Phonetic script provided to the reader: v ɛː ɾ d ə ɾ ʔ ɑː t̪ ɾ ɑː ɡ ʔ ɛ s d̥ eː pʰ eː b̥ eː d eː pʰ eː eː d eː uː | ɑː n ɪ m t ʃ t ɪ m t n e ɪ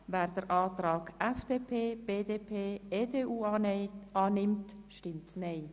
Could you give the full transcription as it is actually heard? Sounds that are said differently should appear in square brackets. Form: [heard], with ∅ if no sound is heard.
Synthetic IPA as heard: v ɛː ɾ d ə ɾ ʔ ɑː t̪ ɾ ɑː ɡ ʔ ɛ [f] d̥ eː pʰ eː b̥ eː d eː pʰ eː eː d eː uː | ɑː n ɪ m t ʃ t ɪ m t n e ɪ